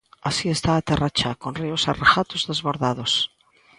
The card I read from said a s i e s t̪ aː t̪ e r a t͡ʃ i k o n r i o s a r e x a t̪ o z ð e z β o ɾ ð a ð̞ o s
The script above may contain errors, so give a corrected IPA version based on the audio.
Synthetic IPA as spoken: a s i e s t̪ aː t̪ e r a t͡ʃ a k o n r i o s a r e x a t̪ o z ð e z β o ɾ ð a ð̞ o s

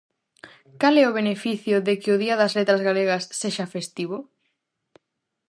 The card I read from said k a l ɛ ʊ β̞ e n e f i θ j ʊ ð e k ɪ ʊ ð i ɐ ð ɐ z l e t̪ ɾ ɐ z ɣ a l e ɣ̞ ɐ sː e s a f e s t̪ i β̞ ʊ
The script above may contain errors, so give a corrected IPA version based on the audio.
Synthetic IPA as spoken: k a l ɛ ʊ β̞ e n e f i θ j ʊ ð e k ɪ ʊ ð i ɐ ð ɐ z l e t̪ ɾ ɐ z ɣ a l e ɣ̞ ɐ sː e ʃ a f e s t̪ i β̞ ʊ

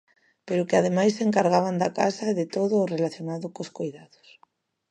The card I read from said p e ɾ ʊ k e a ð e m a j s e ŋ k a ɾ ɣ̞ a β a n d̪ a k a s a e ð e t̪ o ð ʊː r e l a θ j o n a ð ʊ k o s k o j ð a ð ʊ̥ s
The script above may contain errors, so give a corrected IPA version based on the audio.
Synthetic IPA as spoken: p e ɾ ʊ k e a ð e m a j s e ŋ k a ɾ ɣ̞ a β a n d̪ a k a s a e ð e t̪ o ð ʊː r e l a θ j o n a ð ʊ k o s k o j ð a ð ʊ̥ s

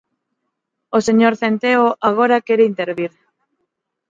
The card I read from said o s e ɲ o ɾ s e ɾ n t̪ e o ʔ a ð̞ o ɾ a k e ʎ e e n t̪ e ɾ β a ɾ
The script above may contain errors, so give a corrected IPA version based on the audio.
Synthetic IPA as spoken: o s e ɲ o ɾ θ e n t̪ e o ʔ a ɣ̞ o ɾ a k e ɾ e i n t̪ e ɾ β i ɾ

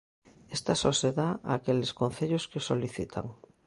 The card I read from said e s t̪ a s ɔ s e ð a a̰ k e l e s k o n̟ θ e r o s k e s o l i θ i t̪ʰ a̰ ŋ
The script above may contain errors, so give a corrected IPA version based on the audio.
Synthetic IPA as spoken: e s t̪ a s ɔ s e ð a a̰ k e l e s k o n̟ θ e ʎ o s k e s o l i θ i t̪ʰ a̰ ŋ

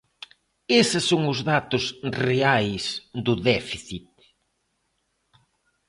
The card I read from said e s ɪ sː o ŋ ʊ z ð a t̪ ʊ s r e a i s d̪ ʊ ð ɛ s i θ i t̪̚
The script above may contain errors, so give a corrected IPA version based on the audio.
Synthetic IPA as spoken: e s ɪ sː o ŋ ʊ z ð a t̪ ʊ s r e a j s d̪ ʊ ð ɛ f i θ i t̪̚

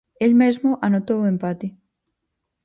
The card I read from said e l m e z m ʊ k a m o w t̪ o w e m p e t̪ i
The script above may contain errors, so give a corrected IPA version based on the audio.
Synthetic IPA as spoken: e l m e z m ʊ ʔ a n o t̪ o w e m p a t̪ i

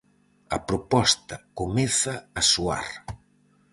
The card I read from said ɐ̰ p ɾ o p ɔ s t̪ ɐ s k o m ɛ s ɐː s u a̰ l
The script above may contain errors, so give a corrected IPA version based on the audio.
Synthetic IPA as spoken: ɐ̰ p ɾ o p ɔ s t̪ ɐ k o m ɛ θ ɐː s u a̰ ɾ

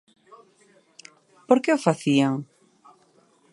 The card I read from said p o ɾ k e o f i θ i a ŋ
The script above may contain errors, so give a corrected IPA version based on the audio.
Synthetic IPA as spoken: p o ɾ k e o f a θ i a ŋ

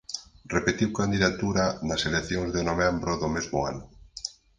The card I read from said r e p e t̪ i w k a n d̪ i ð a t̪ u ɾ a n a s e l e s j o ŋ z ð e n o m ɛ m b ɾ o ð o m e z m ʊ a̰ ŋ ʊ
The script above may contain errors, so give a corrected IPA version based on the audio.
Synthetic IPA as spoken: r e p e t̪ i w k a n d̪ i ð a t̪ u ɾ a n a s e l e θ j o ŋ z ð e n o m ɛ m b ɾ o ð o m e z m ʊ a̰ n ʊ

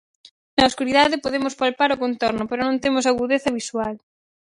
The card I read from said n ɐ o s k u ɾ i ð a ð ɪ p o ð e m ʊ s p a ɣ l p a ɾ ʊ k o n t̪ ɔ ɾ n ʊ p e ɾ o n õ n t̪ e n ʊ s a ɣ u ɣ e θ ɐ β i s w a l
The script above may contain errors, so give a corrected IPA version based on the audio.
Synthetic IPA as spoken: n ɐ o s k u ɾ i ð a ð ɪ p o ð e m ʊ s p a l p a ɾ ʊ k o n t̪ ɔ ɾ n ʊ p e ɾ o n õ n t̪ e m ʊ s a ɣ u ð e θ ɐ β i s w a l

